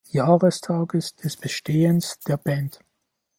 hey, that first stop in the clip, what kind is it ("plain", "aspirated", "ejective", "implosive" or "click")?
aspirated